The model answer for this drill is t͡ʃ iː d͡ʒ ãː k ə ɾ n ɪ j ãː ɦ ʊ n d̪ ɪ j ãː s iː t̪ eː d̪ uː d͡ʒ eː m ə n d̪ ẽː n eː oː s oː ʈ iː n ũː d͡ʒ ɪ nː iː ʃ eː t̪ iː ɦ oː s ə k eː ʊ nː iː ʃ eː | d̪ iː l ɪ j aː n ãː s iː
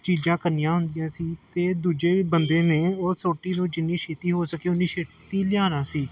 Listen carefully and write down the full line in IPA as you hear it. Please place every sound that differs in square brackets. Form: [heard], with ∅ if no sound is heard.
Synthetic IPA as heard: t͡ʃ iː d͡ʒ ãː k ə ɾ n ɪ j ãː ɦ ʊ n d̪ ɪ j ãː s iː t̪ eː d̪ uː d͡ʒ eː [b] ə n d̪ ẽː n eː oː s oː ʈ iː n ũː d͡ʒ ɪ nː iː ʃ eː t̪ iː ɦ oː s ə k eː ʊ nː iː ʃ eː | [t̪] iː l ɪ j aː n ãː s iː